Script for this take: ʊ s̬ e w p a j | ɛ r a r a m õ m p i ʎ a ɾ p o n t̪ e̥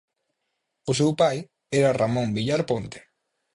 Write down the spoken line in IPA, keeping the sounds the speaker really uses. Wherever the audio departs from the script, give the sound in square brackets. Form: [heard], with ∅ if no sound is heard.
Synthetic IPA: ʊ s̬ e w p a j | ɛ [ɾ] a r a m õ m [b] i ʎ a ɾ p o n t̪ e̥